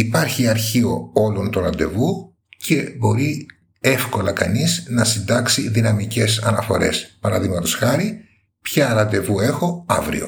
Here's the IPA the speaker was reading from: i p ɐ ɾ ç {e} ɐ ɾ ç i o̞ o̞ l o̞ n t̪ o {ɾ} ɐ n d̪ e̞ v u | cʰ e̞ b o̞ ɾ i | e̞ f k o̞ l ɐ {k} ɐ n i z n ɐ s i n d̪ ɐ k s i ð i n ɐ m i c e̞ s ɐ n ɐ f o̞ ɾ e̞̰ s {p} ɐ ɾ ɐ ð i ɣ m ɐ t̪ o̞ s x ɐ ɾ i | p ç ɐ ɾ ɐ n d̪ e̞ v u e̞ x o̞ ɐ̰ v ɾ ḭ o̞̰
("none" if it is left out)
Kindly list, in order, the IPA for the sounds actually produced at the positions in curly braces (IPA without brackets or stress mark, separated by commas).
i, ɾ, k, p